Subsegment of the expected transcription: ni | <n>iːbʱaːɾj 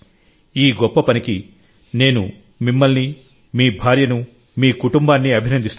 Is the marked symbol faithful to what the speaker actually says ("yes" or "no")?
no